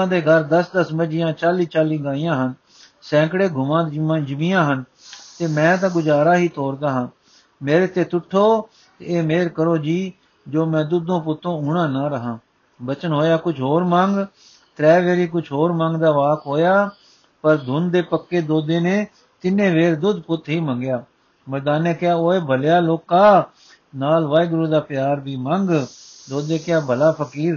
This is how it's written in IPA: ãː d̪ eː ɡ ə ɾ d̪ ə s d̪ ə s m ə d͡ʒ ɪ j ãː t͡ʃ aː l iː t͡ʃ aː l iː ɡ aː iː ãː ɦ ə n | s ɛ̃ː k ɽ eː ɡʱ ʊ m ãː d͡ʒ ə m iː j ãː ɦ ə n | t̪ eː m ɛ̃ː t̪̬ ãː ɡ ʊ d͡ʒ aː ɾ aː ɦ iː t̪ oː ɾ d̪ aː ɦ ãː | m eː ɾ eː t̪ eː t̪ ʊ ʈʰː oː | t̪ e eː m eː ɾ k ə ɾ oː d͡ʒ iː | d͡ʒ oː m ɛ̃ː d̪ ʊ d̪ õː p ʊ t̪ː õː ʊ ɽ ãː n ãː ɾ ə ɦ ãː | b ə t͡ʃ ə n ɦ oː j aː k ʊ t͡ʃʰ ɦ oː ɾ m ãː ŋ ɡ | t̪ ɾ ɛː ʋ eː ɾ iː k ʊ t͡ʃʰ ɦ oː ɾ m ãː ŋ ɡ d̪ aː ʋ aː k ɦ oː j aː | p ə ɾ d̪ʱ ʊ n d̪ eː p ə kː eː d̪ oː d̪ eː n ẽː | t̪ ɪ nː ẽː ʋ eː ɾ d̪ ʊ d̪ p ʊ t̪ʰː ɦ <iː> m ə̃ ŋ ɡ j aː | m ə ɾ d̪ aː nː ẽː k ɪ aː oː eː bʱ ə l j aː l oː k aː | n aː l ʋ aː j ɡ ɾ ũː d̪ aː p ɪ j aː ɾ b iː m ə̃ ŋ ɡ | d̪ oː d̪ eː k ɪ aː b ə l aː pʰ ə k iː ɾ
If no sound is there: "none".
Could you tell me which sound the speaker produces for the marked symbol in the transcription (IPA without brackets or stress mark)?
iː